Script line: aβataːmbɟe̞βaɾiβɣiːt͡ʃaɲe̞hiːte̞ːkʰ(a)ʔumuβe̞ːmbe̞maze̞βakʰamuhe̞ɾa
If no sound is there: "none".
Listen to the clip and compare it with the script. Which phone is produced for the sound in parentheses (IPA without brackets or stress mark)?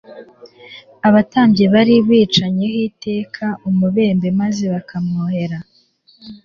a